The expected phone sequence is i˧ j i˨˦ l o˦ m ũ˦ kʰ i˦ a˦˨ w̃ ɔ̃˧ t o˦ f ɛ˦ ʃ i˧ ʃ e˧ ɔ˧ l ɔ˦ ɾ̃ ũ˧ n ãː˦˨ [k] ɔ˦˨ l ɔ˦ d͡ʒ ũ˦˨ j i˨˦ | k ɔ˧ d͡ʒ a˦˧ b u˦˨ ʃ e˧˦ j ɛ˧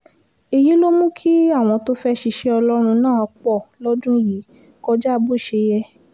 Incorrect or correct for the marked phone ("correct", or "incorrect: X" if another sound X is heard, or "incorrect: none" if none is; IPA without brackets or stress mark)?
incorrect: k͡p